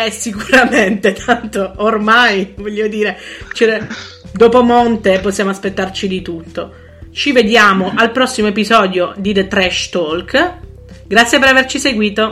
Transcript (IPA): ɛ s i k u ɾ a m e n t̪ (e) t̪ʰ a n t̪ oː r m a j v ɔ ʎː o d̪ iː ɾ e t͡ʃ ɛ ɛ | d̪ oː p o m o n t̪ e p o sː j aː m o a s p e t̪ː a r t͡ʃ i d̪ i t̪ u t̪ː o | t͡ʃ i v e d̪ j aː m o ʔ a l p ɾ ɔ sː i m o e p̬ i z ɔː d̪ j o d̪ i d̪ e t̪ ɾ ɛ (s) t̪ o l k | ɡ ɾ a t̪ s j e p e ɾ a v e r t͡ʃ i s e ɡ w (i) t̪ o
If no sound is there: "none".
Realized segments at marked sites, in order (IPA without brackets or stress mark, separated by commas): e, ʃ, iː